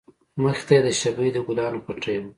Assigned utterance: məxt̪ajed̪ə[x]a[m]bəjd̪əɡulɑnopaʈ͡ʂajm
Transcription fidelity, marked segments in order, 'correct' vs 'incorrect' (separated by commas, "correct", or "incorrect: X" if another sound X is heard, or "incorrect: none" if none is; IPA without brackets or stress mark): incorrect: ʃ, incorrect: none